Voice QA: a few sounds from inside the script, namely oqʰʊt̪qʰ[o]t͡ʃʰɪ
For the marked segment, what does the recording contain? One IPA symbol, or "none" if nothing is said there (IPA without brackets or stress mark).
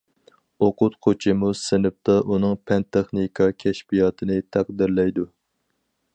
o